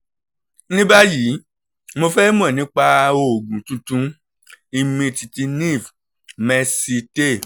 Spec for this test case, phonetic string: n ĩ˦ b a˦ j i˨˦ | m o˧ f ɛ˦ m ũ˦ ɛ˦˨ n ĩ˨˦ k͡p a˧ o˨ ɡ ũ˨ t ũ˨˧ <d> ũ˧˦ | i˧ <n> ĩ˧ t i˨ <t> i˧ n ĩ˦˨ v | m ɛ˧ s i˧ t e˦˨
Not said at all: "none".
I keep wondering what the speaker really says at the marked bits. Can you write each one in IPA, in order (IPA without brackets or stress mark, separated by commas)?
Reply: t, m, t